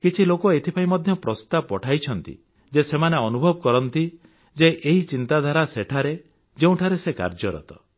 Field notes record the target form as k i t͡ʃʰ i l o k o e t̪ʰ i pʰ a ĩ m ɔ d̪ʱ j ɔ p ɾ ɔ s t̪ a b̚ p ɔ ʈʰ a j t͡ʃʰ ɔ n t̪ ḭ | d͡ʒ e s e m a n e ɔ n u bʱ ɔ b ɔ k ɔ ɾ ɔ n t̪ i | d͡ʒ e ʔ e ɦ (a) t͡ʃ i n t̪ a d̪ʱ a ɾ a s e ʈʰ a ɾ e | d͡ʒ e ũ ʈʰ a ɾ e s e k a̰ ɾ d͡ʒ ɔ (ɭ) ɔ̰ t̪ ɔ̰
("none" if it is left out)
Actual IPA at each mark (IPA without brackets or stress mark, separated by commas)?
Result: i, ɾ